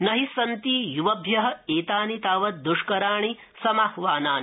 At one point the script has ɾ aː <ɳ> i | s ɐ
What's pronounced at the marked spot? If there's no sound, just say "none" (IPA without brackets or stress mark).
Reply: ɳ